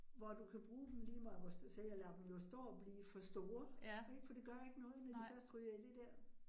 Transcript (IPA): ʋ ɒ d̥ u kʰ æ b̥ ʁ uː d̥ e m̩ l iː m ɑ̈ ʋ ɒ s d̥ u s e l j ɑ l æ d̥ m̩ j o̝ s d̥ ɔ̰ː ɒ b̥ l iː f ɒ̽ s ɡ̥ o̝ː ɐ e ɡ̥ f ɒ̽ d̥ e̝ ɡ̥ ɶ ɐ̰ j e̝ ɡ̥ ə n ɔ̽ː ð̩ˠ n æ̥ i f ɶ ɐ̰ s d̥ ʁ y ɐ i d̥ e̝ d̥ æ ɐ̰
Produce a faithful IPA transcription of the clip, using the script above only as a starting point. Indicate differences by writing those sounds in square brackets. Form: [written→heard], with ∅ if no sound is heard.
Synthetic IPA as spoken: ʋ ɒ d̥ u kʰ æ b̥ ʁ uː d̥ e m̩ l iː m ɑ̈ ʋ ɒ s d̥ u s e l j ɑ l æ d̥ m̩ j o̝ s d̥ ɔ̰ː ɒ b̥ l iː f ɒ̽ s [ɡ̥→d̥] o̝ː ɐ e ɡ̥ f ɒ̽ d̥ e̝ ɡ̥ ɶ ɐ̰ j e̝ ɡ̥ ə n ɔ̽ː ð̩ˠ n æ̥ i f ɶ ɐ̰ s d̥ ʁ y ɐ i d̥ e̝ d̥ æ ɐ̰